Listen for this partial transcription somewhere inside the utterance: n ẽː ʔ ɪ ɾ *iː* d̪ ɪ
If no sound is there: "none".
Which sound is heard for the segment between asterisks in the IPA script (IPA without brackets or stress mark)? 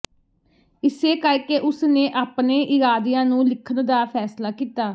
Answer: aː